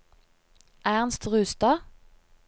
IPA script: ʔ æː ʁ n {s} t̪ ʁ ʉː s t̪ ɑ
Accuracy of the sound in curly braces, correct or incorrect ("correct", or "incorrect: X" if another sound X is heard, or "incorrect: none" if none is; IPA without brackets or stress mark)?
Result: correct